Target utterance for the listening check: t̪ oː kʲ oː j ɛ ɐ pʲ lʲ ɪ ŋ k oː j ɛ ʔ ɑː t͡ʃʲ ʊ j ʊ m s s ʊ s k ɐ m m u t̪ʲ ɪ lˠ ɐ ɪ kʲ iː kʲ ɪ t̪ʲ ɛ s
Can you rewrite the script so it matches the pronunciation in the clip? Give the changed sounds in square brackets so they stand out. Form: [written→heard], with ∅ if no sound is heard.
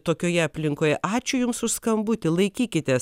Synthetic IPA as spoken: t̪ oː kʲ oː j ɛ ɐ pʲ lʲ ɪ ŋ k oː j ɛ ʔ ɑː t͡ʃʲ ʊ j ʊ m s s ʊ s k ɐ m [m→b] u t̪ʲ ɪ lˠ ɐ ɪ kʲ iː kʲ ɪ t̪ʲ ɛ s